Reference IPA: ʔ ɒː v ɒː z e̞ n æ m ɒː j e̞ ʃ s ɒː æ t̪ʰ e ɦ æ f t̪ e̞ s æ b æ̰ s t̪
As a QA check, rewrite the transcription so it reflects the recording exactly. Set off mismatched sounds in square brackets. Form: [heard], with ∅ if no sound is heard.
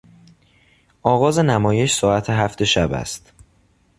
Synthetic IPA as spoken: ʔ ɒː [ɣ] ɒː z e̞ n æ m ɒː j e̞ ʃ s ɒː æ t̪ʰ e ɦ æ f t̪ e̞ [ʃ] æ b æ̰ s t̪